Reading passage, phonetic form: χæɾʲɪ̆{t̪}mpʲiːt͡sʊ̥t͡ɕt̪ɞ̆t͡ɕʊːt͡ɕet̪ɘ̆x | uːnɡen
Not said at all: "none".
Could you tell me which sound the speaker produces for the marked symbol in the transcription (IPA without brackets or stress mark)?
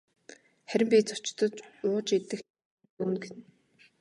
none